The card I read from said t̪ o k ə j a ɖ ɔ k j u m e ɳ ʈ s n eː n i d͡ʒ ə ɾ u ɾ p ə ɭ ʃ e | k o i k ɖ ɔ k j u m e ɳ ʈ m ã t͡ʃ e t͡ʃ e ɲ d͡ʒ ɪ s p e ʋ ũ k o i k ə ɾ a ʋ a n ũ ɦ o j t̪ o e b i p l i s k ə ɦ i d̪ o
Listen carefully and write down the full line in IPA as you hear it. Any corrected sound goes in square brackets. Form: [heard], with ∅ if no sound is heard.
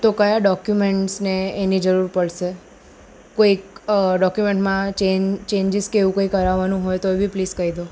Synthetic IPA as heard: t̪ o k ə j a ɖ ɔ k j u m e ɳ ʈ s n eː n i d͡ʒ ə ɾ u ɾ p ə ɭ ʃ e | k o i k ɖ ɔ k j u m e ɳ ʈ m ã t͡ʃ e t͡ʃ e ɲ d͡ʒ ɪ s [k] e ʋ ũ k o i k ə ɾ a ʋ a n ũ ɦ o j t̪ o e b i p l i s k ə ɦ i d̪ o

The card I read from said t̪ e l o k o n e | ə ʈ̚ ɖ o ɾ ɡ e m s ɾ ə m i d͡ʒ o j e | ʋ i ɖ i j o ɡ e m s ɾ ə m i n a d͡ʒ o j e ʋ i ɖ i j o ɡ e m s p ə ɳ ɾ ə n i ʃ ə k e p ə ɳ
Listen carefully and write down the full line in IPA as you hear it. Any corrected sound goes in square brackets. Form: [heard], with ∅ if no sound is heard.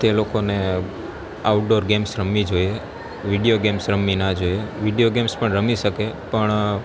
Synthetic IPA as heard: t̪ e l o k o n e | [a] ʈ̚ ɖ o ɾ ɡ e m s ɾ ə m i d͡ʒ o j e | ʋ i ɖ i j o ɡ e m s ɾ ə m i n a d͡ʒ o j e ʋ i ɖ i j o ɡ e m s p ə ɳ ɾ ə [m] i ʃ ə k e p ə ɳ

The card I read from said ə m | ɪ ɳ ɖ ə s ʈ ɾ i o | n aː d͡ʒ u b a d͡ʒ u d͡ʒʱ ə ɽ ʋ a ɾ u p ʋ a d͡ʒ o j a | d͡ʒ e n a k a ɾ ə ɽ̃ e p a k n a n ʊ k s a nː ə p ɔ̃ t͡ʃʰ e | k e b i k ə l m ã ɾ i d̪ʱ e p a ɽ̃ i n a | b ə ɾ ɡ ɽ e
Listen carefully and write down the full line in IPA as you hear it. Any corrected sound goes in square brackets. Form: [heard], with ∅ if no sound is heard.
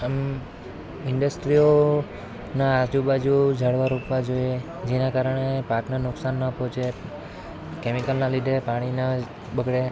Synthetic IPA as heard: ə m | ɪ ɳ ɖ ə s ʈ ɾ i o | n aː d͡ʒ u b a d͡ʒ u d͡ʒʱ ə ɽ ʋ a ɾ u p ʋ a d͡ʒ o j [e] | d͡ʒ e n a k a ɾ ə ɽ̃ e p a k n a n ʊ k s a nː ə p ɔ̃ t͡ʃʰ e | k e [m] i k ə l [n] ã [l] i d̪ʱ e p a ɽ̃ i n a | b ə [∅] ɡ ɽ e

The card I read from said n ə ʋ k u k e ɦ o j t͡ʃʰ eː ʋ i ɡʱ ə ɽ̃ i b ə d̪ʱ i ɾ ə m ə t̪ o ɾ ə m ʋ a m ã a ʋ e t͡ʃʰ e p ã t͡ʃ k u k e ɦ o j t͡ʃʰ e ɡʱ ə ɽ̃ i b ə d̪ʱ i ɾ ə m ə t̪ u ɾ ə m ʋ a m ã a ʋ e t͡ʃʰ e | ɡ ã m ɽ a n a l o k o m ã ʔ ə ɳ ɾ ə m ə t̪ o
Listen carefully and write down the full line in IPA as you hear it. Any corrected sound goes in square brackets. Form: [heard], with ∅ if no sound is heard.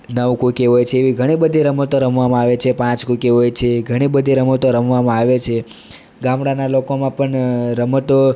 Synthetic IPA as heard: n ə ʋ k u k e ɦ o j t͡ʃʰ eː ʋ i ɡʱ ə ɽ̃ i b ə d̪ʱ i ɾ ə m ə t̪ o ɾ ə m ʋ a m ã a ʋ e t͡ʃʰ e p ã t͡ʃ k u k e ɦ o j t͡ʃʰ e ɡʱ ə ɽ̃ i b ə d̪ʱ i ɾ ə m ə t̪ [o] ɾ ə m ʋ a m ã a ʋ e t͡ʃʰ e | ɡ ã m ɽ a n a l o k o m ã [p] ə ɳ ɾ ə m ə t̪ o

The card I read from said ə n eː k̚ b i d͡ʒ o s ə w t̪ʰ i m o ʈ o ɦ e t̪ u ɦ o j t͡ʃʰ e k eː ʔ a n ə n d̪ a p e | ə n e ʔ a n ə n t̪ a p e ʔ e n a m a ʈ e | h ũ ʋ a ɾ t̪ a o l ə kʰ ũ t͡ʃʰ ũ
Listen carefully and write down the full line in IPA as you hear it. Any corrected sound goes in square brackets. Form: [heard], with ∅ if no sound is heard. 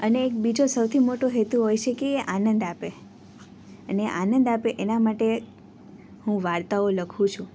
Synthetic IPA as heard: ə n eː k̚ b i d͡ʒ o s ə w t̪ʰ i m o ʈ o ɦ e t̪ u ɦ o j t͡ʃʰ e k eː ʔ a n ə n d̪ a p e | ə n e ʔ a n ə n [d̪] a p e ʔ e n a m a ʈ e | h ũ ʋ a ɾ t̪ a o l ə kʰ ũ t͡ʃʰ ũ

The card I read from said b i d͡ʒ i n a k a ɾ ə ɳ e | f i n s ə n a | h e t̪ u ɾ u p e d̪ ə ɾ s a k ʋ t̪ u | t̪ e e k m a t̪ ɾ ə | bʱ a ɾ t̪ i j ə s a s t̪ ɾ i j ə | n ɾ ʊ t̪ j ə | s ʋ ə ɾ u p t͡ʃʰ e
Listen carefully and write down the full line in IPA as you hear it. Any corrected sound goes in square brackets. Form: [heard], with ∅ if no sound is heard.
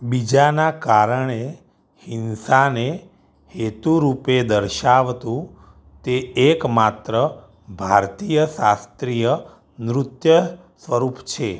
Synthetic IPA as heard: b i d͡ʒ [a] n a k a ɾ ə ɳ e | [h] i n s [a] n [e] | h e t̪ u ɾ u p e d̪ ə ɾ [ʃ] a [∅] ʋ t̪ [ũ] | t̪ e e k m a t̪ ɾ ə | bʱ a ɾ t̪ i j ə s a s t̪ ɾ i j ə | n ɾ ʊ t̪ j ə | s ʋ ə ɾ u p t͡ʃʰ e

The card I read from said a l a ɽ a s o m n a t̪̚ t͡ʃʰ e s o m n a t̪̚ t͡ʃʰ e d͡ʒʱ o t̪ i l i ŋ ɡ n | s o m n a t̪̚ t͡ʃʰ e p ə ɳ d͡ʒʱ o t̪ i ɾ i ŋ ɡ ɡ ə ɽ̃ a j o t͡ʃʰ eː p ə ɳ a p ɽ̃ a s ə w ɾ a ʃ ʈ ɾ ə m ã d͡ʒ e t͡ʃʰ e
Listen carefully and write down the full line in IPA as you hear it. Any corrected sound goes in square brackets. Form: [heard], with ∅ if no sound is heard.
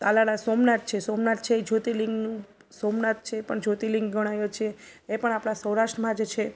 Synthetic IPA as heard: a l a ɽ a s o m n a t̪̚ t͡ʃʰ e s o m n a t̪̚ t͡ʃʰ e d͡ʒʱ o t̪ i l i ŋ ɡ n | s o m n a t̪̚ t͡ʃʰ e p ə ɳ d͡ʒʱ o t̪ i [l] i ŋ ɡ ɡ ə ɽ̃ a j o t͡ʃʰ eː p ə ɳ a p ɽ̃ a s ə w ɾ a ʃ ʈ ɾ ə m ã d͡ʒ e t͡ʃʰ e

